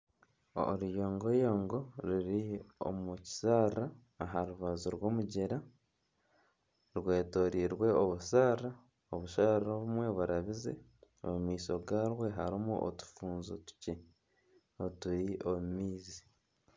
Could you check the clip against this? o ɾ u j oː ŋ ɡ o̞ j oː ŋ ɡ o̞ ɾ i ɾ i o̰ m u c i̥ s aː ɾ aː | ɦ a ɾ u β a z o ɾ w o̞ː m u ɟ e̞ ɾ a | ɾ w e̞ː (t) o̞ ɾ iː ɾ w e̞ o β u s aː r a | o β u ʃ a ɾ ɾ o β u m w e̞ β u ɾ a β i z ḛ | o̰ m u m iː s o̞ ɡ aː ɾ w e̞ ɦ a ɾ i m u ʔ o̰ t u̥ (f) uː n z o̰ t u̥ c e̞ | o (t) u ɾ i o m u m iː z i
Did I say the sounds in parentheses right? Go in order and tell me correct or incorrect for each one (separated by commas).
correct, correct, correct